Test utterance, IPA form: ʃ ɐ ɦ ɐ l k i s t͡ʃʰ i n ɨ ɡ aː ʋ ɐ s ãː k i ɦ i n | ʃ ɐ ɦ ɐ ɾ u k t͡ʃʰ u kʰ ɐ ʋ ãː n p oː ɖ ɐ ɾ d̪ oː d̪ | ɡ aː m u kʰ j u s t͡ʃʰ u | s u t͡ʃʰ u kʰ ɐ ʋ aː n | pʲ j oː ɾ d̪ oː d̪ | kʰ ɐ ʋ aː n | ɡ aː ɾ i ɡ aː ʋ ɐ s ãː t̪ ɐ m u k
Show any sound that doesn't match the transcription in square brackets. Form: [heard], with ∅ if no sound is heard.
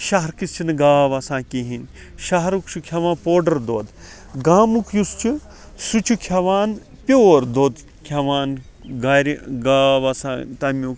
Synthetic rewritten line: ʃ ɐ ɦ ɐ [ɾ] k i s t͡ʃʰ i n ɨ ɡ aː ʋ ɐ s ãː k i ɦ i n | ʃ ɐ ɦ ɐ ɾ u k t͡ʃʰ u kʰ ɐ ʋ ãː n p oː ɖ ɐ ɾ d̪ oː d̪ | ɡ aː m u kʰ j u s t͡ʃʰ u | s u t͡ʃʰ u kʰ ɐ ʋ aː n | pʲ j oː ɾ d̪ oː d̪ | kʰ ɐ ʋ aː n | ɡ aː ɾ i ɡ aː ʋ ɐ s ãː t̪ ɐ m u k